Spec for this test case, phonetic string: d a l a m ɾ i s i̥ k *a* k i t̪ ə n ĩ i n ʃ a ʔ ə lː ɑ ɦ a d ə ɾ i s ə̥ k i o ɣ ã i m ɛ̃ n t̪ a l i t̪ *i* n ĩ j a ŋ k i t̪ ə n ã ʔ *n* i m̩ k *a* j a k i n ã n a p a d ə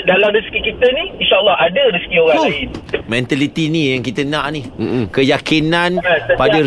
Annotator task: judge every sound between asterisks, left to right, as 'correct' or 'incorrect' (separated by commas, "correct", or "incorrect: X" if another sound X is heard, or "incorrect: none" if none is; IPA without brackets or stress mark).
incorrect: i, correct, correct, incorrect: ə